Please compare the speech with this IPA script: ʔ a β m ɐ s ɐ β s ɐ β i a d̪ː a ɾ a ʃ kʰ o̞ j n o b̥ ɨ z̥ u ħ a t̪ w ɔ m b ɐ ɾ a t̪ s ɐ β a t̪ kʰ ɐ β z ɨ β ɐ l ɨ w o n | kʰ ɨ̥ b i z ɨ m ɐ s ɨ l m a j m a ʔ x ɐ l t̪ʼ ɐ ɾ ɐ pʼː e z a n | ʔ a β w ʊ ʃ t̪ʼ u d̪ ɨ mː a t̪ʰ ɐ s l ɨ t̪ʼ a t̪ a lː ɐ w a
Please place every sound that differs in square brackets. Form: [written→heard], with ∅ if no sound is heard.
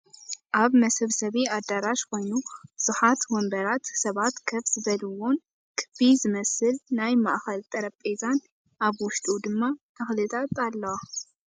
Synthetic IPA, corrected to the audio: ʔ a β m ɐ s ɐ β s ɐ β i a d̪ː a ɾ a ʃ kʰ o̞ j n [o→u] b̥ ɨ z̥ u ħ a t̪ w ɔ m b ɐ ɾ a t̪ s ɐ β a t̪ kʰ ɐ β z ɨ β ɐ l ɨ w o n | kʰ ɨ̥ b i z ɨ m ɐ s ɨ l [m→n] a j m a ʔ x ɐ l t̪ʼ ɐ ɾ ɐ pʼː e z a n | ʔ a β w ʊ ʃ t̪ʼ u d̪ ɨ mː a t̪ʰ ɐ [s→x] l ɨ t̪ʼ a t̪ a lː ɐ w a